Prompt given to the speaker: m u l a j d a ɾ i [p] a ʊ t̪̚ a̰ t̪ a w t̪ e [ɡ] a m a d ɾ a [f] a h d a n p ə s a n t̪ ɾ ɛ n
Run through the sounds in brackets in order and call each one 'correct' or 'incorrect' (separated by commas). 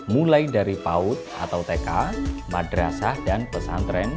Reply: correct, incorrect, incorrect